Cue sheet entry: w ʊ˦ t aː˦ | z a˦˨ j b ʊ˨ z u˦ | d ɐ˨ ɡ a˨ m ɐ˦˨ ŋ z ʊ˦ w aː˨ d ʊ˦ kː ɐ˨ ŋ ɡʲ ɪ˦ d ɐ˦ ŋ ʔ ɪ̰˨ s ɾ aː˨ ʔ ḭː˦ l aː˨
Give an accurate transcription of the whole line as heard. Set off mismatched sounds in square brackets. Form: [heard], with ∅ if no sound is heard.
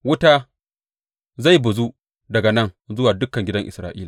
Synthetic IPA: w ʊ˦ t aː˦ | z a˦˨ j b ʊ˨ z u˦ | d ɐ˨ ɡ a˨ [n] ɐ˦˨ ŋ z ʊ˦ w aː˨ d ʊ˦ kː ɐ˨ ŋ ɡʲ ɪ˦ d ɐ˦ ŋ ʔ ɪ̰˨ s ɾ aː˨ ʔ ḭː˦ l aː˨